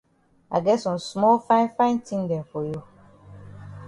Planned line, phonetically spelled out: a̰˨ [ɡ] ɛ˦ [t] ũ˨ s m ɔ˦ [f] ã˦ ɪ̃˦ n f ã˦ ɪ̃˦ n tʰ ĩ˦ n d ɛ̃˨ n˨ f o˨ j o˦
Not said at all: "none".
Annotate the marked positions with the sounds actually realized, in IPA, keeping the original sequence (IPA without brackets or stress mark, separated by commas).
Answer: ɡ, s, f